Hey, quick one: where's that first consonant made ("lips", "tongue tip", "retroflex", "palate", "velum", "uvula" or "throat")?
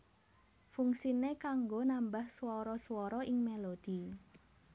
lips